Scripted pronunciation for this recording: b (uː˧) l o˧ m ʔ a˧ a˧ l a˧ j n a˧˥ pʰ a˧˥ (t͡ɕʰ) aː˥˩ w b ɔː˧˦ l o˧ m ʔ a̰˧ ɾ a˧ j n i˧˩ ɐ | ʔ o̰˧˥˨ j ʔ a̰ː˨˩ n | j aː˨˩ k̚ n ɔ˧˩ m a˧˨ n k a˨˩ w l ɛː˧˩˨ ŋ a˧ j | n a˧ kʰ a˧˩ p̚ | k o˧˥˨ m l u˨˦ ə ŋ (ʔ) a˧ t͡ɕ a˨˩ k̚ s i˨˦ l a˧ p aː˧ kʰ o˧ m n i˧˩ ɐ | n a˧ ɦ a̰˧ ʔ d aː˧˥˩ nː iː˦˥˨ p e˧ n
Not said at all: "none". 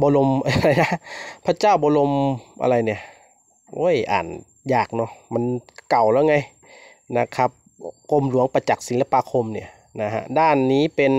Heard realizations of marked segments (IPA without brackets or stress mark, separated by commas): ɔː˧, t͡ɕ, p